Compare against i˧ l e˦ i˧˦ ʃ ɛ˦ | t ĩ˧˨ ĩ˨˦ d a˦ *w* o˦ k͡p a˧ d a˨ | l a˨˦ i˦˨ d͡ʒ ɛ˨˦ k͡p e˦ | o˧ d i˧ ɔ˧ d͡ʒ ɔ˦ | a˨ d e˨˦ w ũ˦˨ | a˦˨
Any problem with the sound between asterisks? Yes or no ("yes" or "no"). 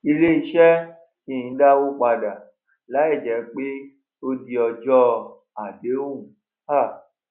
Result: no